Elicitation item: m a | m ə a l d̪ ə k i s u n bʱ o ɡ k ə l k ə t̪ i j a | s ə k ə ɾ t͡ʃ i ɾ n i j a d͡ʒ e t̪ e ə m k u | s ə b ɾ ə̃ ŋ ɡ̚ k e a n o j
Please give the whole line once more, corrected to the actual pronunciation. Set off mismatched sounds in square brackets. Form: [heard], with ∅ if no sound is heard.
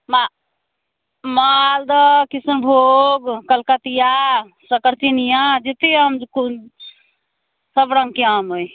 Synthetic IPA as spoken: m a | m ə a l d̪ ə k i s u n bʱ o ɡ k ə l k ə t̪ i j a | s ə k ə ɾ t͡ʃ i [∅] n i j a d͡ʒ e t̪ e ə m k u | s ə b ɾ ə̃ ŋ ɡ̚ k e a [m] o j

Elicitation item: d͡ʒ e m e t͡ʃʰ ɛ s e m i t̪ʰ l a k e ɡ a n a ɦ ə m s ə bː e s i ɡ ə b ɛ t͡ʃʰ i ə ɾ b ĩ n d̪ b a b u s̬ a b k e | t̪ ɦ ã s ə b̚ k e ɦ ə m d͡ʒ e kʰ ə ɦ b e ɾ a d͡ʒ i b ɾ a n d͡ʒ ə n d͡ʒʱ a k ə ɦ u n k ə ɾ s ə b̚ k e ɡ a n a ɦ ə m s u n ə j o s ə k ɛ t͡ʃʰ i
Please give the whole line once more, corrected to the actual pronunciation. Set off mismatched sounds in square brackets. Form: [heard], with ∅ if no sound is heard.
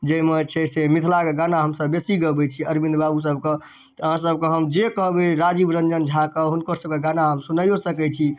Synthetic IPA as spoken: d͡ʒ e m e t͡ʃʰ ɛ s e m i t̪ʰ l a k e ɡ a n a ɦ ə m s ə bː e s i ɡ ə b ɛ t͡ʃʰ i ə ɾ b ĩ n d̪ b a b u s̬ [ə] b k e | t̪ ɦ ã s ə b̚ k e ɦ ə m d͡ʒ e [k] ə ɦ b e ɾ a d͡ʒ i b ɾ [ə] n d͡ʒ ə n d͡ʒʱ a k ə ɦ u n k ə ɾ s ə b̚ k e ɡ a n a ɦ ə m s u n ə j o s ə k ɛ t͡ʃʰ i

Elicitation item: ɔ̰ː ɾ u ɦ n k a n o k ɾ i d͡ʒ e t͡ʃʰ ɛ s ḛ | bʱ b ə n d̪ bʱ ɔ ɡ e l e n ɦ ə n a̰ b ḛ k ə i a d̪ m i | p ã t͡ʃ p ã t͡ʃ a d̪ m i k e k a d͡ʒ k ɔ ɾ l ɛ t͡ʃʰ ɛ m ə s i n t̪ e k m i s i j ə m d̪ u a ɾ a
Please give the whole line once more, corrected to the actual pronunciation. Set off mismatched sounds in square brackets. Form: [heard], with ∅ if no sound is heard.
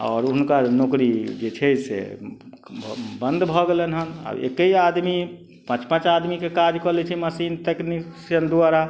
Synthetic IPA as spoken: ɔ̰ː ɾ u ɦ n k a n o k ɾ i d͡ʒ e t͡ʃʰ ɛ s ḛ | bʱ b ə n d̪ bʱ ɔ ɡ e l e n ɦ ə n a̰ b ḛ k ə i a d̪ m i | p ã t͡ʃ p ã t͡ʃ a d̪ m i k e k a d͡ʒ k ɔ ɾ l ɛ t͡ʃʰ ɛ m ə s i n t̪ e k [n] i s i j ə [n] d̪ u a ɾ a

